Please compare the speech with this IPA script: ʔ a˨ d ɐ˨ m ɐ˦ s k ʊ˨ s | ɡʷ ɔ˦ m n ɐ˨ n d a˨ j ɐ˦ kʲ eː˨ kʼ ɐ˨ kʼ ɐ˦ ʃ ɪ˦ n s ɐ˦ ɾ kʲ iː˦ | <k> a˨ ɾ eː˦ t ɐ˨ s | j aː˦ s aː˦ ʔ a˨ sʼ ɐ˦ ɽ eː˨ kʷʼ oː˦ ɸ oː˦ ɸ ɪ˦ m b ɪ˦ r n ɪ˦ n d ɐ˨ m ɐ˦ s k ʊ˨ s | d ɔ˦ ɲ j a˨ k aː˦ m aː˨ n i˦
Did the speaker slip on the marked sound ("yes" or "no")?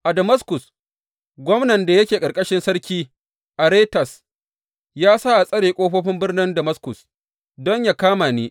yes